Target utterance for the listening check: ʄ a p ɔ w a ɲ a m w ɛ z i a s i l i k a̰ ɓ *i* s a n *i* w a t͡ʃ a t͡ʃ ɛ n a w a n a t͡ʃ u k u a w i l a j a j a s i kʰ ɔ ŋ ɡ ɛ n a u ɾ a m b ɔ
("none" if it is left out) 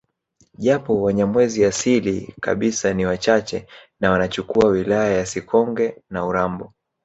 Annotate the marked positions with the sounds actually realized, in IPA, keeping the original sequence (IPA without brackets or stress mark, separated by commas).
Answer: i, i